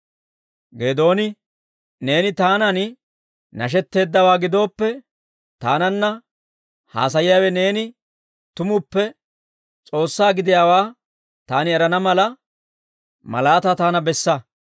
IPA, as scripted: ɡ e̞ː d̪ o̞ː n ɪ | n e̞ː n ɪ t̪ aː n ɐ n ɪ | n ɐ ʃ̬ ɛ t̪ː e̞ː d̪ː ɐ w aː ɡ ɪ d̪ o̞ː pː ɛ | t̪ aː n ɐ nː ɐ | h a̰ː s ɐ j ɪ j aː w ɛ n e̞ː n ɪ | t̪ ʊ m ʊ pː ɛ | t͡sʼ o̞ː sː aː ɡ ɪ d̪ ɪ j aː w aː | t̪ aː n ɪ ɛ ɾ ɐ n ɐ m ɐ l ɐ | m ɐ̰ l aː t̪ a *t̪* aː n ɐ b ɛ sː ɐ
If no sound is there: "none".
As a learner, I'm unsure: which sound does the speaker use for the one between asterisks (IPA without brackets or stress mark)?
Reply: t̪